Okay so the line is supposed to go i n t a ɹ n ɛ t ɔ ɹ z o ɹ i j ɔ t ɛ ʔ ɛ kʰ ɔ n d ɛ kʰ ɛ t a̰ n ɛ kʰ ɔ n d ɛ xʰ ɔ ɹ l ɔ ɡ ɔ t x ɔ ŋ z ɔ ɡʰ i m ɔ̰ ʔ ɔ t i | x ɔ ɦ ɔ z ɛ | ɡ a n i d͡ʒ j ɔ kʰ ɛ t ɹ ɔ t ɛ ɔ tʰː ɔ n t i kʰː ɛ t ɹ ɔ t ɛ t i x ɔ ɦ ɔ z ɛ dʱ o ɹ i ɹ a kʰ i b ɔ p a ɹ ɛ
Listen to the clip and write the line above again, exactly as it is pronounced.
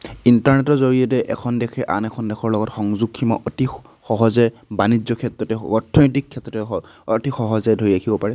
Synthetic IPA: i n t a ɹ n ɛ t ɔ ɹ z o ɹ i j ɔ t ɛ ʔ ɛ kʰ ɔ n d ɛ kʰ ɛ ʔ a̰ n ɛ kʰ ɔ n d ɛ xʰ ɔ ɹ l ɔ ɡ ɔ t x ɔ ŋ z u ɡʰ i m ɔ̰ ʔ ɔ t i | x ɔ ɦ ɔ z ɛ | b a n i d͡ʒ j ɔ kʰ ɛ t ɹ ɔ t ɛ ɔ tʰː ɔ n t i kʰː ɛ t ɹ ɔ t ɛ t i x ɔ ɦ ɔ z ɛ dʱ o ɹ i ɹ a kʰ i b ɔ p a ɹ ɛ